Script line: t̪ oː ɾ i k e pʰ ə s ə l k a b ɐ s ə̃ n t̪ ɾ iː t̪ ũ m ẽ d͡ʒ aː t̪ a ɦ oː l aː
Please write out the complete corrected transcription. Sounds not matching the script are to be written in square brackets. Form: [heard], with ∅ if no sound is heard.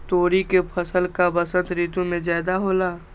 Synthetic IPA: t̪ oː ɾ i k e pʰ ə s ə l k a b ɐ s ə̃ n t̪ ɾ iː t̪ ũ m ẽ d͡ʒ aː [d̪] a ɦ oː l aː